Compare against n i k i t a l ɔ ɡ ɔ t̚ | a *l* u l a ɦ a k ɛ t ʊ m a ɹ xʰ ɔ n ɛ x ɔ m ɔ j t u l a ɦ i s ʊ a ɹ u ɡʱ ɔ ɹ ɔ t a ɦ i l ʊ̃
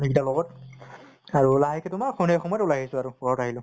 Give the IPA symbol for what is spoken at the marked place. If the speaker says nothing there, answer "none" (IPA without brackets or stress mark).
ɹ